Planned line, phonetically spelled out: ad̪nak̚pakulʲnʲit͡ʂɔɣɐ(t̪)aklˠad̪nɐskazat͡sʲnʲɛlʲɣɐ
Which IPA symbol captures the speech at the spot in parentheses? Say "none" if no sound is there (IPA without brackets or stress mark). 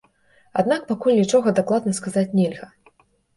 d̪